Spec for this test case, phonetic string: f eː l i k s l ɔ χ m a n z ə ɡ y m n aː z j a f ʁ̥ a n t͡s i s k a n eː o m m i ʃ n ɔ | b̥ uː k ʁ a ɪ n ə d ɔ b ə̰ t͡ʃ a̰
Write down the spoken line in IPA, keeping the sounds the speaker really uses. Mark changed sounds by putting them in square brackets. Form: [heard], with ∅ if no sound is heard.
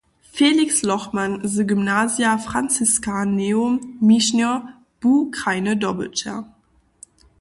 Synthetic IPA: f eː l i k s l ɔ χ m a n z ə ɡ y m n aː z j a f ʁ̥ a n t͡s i s k a n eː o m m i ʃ n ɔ | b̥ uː k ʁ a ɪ n ə d ɔ b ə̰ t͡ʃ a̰